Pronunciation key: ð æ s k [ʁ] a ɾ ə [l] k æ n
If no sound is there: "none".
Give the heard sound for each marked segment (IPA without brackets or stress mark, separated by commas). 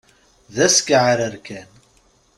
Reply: ʕ, ɾ